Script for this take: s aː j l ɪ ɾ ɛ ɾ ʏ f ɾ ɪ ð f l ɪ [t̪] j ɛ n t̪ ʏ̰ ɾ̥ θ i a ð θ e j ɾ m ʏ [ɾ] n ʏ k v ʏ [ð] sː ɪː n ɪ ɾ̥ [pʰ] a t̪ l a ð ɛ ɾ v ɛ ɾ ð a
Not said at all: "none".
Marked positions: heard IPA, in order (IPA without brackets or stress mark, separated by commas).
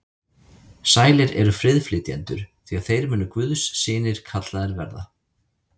t̪, none, ð, kʰ